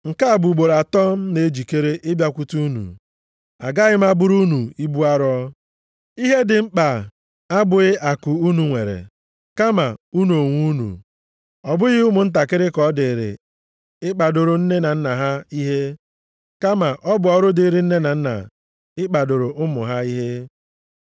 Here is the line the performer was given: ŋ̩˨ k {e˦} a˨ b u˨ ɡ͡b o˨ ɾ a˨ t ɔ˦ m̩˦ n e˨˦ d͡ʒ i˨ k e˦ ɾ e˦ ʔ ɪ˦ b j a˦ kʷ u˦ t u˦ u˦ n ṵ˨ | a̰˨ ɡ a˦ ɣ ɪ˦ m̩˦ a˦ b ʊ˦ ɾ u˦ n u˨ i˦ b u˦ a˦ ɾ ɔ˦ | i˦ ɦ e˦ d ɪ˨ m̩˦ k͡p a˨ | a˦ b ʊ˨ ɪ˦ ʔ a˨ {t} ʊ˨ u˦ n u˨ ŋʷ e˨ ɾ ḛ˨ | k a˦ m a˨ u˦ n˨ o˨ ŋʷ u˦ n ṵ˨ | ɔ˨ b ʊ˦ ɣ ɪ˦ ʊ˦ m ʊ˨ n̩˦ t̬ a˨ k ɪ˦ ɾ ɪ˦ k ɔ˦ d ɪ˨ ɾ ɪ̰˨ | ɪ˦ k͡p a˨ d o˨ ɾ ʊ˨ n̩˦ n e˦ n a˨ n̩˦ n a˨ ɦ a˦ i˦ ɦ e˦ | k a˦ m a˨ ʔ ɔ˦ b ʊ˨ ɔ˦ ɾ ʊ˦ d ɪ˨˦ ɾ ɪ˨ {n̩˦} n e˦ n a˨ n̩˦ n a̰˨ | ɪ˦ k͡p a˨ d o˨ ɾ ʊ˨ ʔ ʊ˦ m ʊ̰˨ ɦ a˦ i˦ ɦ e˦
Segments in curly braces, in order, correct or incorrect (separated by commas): incorrect, incorrect, correct